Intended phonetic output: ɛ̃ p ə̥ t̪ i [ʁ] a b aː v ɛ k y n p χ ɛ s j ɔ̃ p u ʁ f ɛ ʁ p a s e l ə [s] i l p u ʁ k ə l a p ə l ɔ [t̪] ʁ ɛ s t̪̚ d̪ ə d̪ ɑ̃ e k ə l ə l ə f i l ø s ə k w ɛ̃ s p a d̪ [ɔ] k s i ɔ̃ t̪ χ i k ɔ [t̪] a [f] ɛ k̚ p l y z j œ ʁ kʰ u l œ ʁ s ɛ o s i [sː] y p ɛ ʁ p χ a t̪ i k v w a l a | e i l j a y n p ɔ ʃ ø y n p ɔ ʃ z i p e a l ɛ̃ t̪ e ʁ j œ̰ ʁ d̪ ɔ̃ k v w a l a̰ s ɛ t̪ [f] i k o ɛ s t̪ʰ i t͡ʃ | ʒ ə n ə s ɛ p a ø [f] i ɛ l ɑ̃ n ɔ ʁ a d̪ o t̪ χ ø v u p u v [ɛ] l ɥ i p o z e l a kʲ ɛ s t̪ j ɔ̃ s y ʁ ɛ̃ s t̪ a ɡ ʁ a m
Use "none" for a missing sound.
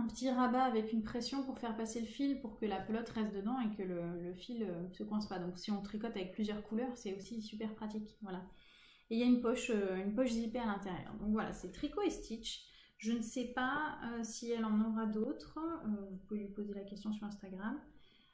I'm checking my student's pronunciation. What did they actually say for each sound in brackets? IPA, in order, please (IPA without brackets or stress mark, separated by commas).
ʁ, f, t̪, ɔ̃, t̪, v, s, χ, s, e